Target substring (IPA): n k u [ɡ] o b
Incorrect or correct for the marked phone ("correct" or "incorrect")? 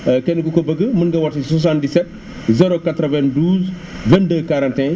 incorrect